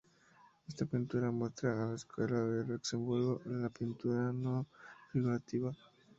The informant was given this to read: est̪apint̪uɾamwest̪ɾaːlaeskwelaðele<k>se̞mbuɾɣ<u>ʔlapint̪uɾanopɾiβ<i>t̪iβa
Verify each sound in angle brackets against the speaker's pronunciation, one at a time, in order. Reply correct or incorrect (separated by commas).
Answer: correct, incorrect, incorrect